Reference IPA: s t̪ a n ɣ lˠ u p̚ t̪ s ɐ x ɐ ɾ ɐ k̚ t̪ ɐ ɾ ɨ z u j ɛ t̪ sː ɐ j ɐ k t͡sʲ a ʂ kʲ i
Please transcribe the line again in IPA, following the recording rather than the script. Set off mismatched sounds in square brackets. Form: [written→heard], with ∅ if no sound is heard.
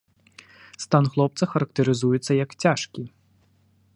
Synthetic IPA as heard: s t̪ a n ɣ lˠ [u→ɔ] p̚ t̪ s ɐ x ɐ ɾ ɐ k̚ t̪ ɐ ɾ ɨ z u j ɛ t̪ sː ɐ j ɐ k t͡sʲ a ʂ kʲ i